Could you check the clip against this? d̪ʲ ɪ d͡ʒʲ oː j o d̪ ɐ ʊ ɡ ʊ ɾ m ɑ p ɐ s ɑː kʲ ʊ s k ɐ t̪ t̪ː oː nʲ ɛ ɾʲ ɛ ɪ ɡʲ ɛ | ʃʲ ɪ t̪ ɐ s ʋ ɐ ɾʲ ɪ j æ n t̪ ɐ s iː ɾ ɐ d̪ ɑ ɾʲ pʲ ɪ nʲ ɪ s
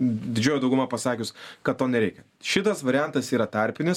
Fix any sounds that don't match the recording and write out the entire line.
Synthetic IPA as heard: d̪ʲ ɪ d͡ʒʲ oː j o d̪ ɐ ʊ ɡ ʊ m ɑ p ɐ s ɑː kʲ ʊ s k ɐ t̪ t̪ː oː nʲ ɛ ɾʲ ɛ ɪ kʲ ɛ | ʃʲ ɪ t̪ ɐ s ʋ ɐ ɾʲ ɪ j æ n t̪ ɐ s iː ɾ ɐ t̪ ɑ ɾʲ pʲ ɪ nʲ ɪ s